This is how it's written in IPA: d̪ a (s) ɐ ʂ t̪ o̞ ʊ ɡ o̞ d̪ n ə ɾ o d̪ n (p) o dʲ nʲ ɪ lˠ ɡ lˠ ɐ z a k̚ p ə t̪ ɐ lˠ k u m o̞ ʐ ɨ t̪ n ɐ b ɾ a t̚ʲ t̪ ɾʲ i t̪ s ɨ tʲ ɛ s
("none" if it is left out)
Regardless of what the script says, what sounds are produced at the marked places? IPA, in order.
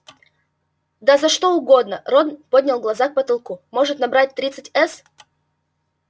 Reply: z, p

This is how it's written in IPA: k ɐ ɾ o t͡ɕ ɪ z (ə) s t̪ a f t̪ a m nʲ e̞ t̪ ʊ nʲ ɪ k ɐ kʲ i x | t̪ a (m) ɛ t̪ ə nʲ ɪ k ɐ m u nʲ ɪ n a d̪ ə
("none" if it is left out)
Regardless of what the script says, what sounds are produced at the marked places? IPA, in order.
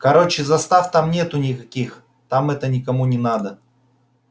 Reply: ɐ, m

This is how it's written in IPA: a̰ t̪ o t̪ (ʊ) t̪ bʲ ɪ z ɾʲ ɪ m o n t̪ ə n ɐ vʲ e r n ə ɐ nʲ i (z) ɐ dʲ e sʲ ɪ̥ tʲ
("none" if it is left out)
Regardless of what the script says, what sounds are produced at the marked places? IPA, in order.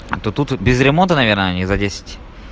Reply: u, z

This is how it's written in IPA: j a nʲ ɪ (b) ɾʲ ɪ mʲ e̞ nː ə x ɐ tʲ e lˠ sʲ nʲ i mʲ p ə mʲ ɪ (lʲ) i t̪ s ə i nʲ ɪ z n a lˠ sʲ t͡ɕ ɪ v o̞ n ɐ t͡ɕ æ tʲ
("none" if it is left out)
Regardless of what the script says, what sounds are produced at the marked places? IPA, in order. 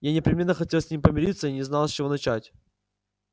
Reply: p, ɾʲ

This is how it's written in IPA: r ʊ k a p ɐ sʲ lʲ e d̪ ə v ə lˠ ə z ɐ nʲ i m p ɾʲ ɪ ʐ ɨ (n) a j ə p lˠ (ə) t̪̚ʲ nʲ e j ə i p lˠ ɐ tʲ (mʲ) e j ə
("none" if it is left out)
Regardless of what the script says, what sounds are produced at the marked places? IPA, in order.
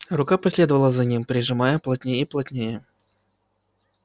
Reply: m, ɐ, nʲ

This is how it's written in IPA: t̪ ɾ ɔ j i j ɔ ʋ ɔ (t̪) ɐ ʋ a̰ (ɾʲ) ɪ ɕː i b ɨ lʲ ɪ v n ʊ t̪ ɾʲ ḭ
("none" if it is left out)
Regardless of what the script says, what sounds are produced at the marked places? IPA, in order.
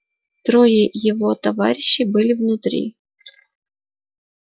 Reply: t̪, ɾʲ

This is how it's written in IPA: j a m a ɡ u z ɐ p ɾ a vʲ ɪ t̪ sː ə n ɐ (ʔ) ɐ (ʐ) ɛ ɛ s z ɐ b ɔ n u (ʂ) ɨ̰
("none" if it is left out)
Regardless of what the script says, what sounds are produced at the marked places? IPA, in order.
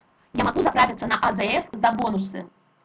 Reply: ʔ, z, s

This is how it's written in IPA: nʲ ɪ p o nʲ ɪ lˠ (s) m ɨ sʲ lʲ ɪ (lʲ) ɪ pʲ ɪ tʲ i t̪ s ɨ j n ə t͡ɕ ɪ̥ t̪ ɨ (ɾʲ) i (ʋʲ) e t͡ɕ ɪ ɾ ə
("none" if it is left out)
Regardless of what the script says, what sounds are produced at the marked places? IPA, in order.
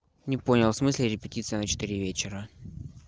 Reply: s, ɾʲ, ɾʲ, vʲ

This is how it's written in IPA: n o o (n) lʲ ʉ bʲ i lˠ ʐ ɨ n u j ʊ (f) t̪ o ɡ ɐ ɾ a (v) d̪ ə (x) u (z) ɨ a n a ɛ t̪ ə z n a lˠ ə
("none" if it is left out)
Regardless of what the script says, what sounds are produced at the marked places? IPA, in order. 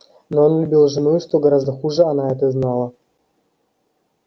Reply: n, ʂ, z, x, ʐ

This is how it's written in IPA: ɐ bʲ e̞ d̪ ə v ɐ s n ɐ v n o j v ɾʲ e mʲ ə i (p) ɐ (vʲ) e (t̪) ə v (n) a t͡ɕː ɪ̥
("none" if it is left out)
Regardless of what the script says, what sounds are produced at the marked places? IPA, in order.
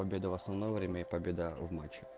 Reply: p, bʲ, d̪, m

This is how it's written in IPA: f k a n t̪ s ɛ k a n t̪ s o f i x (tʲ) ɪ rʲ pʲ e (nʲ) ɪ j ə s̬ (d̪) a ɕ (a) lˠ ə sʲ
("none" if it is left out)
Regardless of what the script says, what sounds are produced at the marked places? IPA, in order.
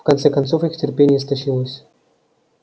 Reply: tʲ, nʲ, t̪, i

